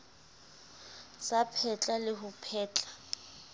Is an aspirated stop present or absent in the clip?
present